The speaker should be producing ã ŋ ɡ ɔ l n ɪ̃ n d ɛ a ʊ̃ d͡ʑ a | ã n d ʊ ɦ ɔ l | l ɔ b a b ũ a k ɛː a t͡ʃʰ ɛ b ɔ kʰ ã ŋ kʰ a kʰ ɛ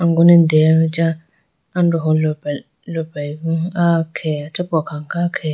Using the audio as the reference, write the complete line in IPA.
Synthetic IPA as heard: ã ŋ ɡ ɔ n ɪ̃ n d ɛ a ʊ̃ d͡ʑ a | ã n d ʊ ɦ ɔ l | l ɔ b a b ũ a kʰ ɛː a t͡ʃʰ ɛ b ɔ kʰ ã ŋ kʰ a kʰ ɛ